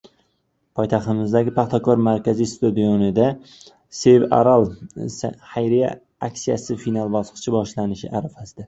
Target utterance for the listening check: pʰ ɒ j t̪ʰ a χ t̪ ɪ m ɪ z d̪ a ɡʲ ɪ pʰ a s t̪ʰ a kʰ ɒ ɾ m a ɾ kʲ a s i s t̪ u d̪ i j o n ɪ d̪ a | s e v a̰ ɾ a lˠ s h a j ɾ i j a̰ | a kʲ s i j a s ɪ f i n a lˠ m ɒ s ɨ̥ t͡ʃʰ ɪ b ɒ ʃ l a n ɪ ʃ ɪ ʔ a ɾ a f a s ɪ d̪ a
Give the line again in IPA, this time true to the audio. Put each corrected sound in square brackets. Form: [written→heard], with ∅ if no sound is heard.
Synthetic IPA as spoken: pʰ ɒ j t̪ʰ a χ t̪ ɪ m ɪ z d̪ a ɡʲ ɪ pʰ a [s→χ] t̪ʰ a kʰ ɒ ɾ m a ɾ kʲ a [s→z] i s t̪ u d̪ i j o n ɪ d̪ a | s e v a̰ ɾ a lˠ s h a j ɾ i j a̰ | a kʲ s i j a s ɪ f i n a lˠ [m→b] ɒ s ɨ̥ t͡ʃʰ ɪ b ɒ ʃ l a n ɪ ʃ ɪ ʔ a ɾ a f a s ɪ d̪ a

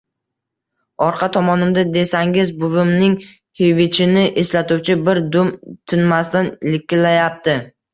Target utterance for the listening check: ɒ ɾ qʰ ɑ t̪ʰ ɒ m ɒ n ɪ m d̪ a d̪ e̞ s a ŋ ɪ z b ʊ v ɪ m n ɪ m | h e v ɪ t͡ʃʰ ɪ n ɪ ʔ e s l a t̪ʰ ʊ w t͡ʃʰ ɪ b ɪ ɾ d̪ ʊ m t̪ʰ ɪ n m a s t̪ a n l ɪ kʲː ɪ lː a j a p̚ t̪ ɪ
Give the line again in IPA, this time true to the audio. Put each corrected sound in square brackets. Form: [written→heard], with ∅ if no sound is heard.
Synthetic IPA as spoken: ɒ ɾ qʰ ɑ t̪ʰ ɒ m ɒ n ɪ m d̪ a d̪ e̞ s a ŋ ɪ z b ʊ v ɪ m n ɪ [m→ŋ] | h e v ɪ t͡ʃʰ ɪ n ɪ ʔ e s l a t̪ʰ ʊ w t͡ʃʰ ɪ b ɪ ɾ d̪ ʊ m t̪ʰ ɪ n m a s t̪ a n l ɪ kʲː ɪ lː a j a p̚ t̪ ɪ

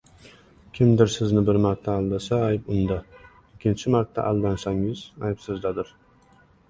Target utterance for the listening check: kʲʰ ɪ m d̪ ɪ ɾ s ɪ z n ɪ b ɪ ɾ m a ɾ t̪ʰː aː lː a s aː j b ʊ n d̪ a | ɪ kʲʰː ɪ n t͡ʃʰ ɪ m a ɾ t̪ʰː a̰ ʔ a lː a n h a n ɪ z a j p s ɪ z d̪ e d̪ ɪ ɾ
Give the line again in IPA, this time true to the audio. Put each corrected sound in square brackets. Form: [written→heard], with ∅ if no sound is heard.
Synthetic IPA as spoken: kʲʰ ɪ m d̪ ɪ ɾ s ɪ z n ɪ b ɪ ɾ m a ɾ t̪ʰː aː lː a s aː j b ʊ n d̪ a | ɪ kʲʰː ɪ n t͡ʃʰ ɪ m a ɾ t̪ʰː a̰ ʔ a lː a n [h→s] a [n→ŋ] ɪ z a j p s ɪ z d̪ [e→a] d̪ ɪ ɾ

